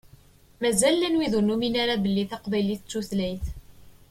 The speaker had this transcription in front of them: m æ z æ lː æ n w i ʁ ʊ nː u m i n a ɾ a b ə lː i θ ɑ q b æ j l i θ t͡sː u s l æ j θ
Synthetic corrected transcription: m æ z æ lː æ n w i ð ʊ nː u m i n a ɾ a b ə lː i θ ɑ q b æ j l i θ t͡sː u θ l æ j θ